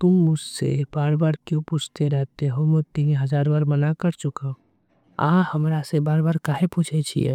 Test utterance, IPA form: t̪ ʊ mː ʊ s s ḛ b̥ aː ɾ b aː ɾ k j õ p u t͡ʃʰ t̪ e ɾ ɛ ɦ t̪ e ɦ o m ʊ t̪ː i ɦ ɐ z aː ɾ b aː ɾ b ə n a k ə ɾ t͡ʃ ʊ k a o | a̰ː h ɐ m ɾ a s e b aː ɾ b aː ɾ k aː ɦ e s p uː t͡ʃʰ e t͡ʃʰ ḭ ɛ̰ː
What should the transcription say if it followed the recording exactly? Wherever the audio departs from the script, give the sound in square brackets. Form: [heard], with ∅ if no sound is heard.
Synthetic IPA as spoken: t̪ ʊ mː ʊ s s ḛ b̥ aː ɾ b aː ɾ k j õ p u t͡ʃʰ t̪ e ɾ ɛ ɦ t̪ e ɦ o m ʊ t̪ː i ɦ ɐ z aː ɾ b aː ɾ [m] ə n a k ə ɾ t͡ʃ ʊ k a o | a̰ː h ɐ m ɾ a s e b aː ɾ b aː ɾ k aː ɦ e [∅] p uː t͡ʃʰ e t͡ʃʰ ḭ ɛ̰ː

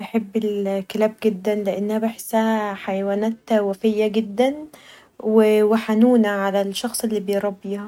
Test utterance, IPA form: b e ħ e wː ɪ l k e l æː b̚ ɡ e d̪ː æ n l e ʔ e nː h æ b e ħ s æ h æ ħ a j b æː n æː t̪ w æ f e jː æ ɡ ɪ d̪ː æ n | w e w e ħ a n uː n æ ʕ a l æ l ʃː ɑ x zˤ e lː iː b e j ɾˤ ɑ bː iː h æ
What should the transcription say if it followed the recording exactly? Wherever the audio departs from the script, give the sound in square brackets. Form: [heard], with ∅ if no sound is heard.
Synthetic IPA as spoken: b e ħ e [bː] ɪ l k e l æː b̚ ɡ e d̪ː æ n l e ʔ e nː h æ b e ħ s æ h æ ħ a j [w] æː n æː t̪ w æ f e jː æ ɡ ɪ d̪ː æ n | w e w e ħ a n uː n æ ʕ a l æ l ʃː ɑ x [sˤ] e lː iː b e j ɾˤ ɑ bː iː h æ

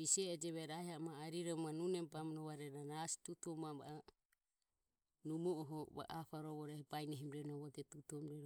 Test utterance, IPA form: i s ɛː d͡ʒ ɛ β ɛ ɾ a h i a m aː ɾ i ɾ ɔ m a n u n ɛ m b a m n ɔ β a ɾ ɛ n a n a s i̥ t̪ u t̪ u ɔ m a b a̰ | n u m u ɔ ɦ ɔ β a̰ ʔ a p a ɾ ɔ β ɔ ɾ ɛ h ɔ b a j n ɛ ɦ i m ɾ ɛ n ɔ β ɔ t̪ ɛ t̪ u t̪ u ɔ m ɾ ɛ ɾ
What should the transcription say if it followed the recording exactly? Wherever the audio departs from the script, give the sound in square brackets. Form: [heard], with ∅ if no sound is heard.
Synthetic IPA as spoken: i s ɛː d͡ʒ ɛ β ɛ ɾ a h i a m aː ɾ i ɾ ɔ m a n u n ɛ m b a m n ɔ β a ɾ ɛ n a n a s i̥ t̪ u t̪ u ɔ m a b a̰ | n u m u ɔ ɦ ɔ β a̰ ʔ a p a ɾ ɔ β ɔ ɾ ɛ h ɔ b a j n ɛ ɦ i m ɾ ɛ n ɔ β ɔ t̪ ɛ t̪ u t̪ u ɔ m ɾ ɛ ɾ

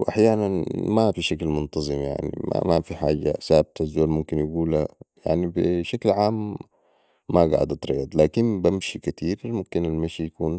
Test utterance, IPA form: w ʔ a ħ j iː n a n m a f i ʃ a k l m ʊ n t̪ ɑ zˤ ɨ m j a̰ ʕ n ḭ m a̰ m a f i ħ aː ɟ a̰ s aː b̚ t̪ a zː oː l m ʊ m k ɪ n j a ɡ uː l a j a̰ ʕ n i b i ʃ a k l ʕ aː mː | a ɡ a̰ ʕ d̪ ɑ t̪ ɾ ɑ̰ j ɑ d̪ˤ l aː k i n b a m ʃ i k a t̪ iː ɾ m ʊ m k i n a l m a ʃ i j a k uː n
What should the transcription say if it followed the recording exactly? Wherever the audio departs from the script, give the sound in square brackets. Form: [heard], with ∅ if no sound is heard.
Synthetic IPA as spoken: w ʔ a ħ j [aː] n a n m a f i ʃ a k l m ʊ n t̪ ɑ zˤ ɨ m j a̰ ʕ n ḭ m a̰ m a f i ħ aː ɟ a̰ s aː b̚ t̪ a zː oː l m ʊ m k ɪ n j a ɡ uː l a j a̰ ʕ n i b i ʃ a k l ʕ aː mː | a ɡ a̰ ʕ d̪ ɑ t̪ ɾ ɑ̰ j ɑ d̪ˤ l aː k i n b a m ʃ i k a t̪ iː ɾ m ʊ m k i n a l m a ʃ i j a k uː n

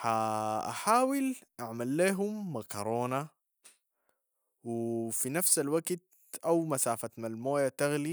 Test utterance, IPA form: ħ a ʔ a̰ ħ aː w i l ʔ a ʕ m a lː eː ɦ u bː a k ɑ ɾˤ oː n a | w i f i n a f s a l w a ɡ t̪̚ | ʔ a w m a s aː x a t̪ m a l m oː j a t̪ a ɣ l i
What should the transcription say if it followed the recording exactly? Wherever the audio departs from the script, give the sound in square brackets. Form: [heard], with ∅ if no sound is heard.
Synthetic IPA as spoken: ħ a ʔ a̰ ħ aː w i l ʔ a ʕ m a lː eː ɦ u [mː] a k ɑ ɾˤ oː n a | w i f i n a f s a l w a ɡ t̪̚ | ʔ a w m a s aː [f] a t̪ m a l m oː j a t̪ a ɣ l i

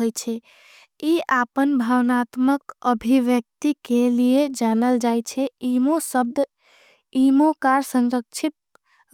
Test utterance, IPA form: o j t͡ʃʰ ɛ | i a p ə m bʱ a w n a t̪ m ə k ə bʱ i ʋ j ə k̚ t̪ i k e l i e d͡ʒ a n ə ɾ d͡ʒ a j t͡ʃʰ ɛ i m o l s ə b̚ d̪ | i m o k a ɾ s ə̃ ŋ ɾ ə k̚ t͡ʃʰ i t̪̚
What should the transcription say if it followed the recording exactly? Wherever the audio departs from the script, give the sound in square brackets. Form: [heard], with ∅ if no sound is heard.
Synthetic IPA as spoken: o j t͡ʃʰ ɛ | i a p ə [n] bʱ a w n a t̪ m ə k ə bʱ i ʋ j ə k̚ t̪ i k e l i e d͡ʒ a n ə [l] d͡ʒ a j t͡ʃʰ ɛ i m o [∅] s ə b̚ d̪ | i m o k a ɾ s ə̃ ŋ ɾ ə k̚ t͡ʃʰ i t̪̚

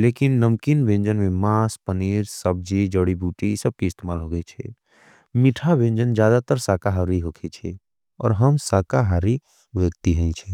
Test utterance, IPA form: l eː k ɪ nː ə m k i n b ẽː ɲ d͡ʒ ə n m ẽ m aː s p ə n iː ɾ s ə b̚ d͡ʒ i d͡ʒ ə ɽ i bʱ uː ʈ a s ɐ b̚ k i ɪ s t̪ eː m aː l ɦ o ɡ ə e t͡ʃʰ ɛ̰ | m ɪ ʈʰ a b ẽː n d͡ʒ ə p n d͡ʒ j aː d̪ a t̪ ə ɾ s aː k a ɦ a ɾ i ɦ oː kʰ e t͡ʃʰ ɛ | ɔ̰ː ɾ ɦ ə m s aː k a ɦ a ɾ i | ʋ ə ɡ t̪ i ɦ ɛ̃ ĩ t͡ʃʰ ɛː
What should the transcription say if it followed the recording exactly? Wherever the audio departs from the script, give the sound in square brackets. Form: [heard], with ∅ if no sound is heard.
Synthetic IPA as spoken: l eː k ɪ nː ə m k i n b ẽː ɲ d͡ʒ ə n m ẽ m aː s p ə n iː ɾ s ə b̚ d͡ʒ i d͡ʒ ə ɽ i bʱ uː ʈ [i] s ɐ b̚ k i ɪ s t̪ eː m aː l ɦ o ɡ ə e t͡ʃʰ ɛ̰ | m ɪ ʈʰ a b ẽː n d͡ʒ ə [∅] n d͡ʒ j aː d̪ a t̪ ə ɾ s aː k a ɦ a ɾ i ɦ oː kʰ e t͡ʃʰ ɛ | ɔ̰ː ɾ ɦ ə m s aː k a ɦ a ɾ i | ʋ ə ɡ t̪ i ɦ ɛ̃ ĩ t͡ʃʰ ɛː

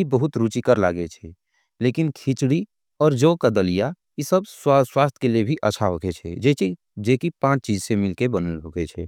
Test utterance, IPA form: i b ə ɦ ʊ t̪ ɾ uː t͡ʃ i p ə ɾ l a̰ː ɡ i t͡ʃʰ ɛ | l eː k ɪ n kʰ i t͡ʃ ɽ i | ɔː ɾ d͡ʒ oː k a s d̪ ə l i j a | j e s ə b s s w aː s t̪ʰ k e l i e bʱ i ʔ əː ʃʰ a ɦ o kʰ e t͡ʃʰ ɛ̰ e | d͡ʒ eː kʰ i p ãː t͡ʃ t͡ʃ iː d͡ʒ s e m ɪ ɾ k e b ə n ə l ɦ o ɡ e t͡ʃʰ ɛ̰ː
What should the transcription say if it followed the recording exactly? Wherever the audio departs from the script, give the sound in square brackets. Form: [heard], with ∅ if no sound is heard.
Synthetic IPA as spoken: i b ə ɦ ʊ t̪ ɾ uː t͡ʃ i [k] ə ɾ l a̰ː ɡ [e] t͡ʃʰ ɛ | l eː k ɪ n kʰ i t͡ʃ ɽ i | ɔː ɾ d͡ʒ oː k a [∅] d̪ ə l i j a | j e s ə b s s w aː s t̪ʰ k e l i e bʱ i ʔ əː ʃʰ a ɦ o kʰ e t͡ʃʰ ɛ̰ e | d͡ʒ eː [k] i p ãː t͡ʃ t͡ʃ iː d͡ʒ s e m ɪ [l] k e b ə n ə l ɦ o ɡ e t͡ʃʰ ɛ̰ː

